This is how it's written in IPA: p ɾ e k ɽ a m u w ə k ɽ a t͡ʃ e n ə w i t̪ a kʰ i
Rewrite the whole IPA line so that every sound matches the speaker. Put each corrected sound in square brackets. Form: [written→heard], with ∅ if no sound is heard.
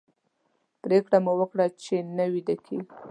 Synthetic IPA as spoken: p ɾ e k ɽ a m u w ə k ɽ a t͡ʃ e n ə w i [t̪→d̪] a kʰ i

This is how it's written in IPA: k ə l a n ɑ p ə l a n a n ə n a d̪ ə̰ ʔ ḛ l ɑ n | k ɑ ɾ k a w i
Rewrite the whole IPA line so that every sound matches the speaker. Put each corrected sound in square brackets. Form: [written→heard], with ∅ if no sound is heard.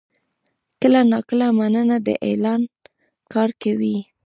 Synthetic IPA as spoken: k ə l a n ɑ [p→k] ə l a [n→m] a n ə n a d̪ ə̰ ʔ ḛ l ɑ n | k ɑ ɾ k a w i

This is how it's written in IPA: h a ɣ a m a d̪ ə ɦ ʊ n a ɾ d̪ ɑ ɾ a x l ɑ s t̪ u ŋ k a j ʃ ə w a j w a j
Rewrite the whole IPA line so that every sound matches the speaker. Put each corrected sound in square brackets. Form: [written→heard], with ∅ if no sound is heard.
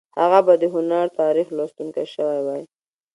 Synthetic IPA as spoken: h a ɣ a [m→b] a d̪ ə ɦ ʊ n a ɾ [d̪→t̪] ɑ ɾ [a→i] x l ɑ s t̪ u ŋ k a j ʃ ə w a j w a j

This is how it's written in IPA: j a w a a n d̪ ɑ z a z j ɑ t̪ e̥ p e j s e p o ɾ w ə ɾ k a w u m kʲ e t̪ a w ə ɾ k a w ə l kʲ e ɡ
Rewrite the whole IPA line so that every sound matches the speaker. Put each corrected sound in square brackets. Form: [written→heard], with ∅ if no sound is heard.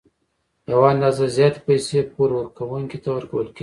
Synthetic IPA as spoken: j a w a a n d̪ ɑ z a z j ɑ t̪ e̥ p [e→a] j s e p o ɾ w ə ɾ k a w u [m→ŋ] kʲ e t̪ a w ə ɾ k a w ə l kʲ e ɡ

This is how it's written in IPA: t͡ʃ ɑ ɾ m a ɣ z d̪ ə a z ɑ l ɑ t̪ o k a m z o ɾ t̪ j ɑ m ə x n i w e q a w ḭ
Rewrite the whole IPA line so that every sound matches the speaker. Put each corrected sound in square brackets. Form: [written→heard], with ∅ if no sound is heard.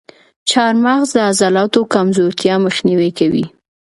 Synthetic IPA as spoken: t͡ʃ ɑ ɾ m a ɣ z d̪ ə a z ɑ l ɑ t̪ o k a m z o ɾ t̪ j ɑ m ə x n i w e [q→k] a w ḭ

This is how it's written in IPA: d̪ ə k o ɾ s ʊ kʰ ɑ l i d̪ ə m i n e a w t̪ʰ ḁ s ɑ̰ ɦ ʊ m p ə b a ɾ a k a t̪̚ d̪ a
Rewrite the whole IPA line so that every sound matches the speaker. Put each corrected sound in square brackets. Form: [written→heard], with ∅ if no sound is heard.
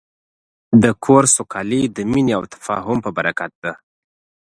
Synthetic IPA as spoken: d̪ ə [k→kʰ] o ɾ s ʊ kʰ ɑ l i d̪ ə m i n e a w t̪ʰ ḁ [s→f] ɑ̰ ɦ ʊ m p ə b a ɾ a k a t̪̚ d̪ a

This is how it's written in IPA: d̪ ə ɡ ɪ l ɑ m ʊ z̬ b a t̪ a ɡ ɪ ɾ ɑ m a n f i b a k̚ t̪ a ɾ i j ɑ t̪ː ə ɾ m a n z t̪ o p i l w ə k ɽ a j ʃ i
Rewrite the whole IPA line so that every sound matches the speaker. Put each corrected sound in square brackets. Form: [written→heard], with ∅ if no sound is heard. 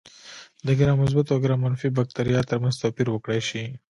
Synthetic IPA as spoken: d̪ ə ɡ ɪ [l→ɾ] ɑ m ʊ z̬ b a t̪ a ɡ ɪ ɾ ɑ m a n f i b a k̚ t̪ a ɾ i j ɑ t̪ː ə ɾ m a n z t̪ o p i [l→ɾ] w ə k ɽ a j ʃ i

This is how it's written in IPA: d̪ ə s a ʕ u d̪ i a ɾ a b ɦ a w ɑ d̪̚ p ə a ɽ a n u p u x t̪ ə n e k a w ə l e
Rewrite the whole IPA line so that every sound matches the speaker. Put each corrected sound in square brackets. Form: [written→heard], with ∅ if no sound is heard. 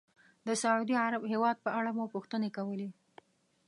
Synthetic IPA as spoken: d̪ ə s a ʕ u d̪ i a ɾ a b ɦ [a→e] w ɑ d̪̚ p ə a ɽ a [n→m] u p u x t̪ ə n e k a w ə l e

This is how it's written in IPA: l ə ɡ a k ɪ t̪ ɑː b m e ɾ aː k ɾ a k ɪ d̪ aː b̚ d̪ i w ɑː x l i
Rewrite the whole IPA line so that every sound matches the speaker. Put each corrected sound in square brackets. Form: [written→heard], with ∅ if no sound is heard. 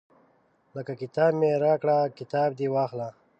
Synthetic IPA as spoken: l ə [ɡ→k] a k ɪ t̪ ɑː b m e ɾ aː k [ɾ→ɽ] a k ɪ [d̪→t̪] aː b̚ d̪ i w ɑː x l [i→a]

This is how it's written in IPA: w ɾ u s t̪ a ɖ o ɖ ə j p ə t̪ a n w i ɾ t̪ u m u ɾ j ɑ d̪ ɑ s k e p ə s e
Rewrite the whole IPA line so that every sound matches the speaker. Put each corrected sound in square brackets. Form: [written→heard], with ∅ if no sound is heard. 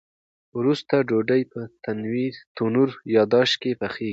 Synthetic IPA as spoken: w ɾ u s t̪ a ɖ o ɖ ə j p ə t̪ a n w i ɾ t̪ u [m→n] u ɾ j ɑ d̪ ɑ [s→ʃ] k e p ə [s→x] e

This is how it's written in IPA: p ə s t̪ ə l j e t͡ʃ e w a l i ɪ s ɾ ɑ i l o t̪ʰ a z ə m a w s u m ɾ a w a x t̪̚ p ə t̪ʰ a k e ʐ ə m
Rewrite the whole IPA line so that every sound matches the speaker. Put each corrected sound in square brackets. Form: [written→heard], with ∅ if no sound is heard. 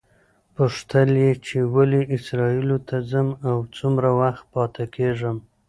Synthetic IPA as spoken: p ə [s→ʂ] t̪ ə l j e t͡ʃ e w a l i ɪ s ɾ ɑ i l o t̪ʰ a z ə m a w [s→t͡s] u m ɾ a w a x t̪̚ p [ə→ɑ] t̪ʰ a k e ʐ ə m

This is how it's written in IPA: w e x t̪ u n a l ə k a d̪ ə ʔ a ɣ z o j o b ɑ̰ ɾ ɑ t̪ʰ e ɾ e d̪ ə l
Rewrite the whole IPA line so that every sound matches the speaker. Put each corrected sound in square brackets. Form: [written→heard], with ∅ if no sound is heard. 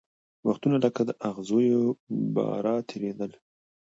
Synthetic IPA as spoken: w [e→a] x t̪ u n a l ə k a d̪ ə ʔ a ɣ z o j o b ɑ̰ ɾ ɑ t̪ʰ e ɾ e d̪ ə l

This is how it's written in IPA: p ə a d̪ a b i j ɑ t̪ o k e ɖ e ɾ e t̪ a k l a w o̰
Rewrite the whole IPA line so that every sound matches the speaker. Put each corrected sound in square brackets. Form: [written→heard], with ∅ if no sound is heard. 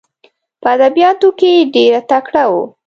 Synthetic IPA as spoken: p ə a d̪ a b i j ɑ t̪ o k e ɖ e ɾ [e→a] t̪ a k [l→ɽ] a w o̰

